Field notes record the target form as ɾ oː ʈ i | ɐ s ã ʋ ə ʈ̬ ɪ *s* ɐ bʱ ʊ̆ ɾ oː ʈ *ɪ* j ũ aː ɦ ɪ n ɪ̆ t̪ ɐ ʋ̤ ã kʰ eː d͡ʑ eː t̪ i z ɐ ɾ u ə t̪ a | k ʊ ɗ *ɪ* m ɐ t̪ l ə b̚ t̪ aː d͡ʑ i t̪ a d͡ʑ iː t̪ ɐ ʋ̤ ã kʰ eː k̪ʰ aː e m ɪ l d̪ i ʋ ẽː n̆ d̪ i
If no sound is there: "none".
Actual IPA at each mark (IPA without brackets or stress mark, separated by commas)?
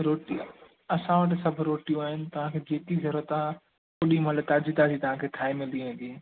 s, i, i